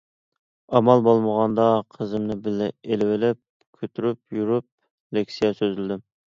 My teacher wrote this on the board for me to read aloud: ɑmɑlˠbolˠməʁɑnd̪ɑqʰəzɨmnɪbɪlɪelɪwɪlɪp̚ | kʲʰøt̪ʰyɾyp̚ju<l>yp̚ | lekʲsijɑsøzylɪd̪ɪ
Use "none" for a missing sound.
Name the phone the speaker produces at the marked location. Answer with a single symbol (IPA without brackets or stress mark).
ɾ